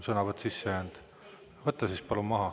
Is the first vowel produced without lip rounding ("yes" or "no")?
yes